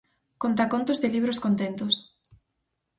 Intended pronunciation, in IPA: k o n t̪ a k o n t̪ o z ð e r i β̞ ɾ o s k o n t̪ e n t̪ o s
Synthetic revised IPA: k o n t̪ a k o n t̪ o z ð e l i β̞ ɾ o s k o n t̪ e n t̪ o s